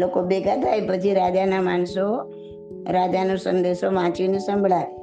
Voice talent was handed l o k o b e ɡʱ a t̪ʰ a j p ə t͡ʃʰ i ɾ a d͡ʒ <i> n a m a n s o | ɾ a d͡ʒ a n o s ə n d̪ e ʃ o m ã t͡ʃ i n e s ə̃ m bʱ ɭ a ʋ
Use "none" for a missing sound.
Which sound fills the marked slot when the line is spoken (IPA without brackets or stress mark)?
a